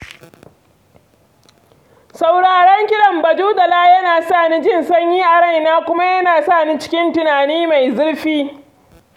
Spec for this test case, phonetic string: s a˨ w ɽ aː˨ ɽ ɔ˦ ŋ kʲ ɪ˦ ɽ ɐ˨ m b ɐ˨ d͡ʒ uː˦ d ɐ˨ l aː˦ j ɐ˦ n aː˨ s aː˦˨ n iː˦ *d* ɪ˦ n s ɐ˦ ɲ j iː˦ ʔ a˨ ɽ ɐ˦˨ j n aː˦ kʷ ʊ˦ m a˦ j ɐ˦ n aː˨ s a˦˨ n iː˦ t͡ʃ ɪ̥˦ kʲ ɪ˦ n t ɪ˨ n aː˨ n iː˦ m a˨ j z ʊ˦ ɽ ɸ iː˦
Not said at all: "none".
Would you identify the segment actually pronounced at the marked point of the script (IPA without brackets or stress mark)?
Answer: d͡ʒ